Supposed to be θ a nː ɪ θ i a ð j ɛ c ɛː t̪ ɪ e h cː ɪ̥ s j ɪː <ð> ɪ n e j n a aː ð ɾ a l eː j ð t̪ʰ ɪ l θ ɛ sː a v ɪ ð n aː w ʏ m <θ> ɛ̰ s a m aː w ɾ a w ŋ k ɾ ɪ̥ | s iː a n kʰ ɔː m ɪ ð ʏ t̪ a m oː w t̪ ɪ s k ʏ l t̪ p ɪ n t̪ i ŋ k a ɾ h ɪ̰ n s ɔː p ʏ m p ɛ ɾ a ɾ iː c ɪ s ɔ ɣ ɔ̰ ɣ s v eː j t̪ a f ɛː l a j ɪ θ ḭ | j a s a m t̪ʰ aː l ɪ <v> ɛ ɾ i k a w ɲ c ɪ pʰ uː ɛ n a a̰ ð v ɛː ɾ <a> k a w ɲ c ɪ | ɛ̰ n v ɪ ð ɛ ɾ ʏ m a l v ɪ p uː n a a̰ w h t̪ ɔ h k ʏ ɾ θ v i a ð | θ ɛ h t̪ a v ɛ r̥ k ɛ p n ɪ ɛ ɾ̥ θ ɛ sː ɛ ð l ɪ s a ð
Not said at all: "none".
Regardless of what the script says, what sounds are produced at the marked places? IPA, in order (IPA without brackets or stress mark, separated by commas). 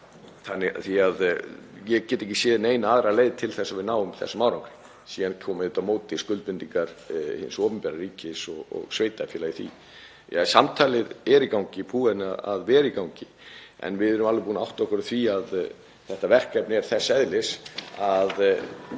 ð, θ, ð, i